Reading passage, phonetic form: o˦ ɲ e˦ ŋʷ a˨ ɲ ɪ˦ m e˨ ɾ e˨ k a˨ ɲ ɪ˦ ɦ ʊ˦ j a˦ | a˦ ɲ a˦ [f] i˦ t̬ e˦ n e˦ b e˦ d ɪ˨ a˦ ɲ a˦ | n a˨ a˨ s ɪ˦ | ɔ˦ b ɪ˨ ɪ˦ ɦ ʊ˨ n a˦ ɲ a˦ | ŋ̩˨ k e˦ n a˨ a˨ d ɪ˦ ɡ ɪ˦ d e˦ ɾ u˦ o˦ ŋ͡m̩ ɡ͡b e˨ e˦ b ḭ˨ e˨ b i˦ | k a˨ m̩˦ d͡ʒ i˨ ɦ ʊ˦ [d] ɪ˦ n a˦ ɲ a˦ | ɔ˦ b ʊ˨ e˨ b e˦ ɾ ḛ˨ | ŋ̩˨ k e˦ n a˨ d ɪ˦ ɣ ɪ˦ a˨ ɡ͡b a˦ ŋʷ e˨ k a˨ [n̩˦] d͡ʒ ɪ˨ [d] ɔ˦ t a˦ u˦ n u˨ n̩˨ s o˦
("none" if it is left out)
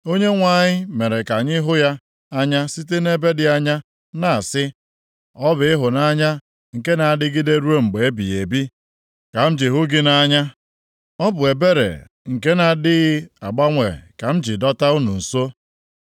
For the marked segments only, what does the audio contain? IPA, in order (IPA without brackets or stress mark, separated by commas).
s, ɡ, m̩˦, d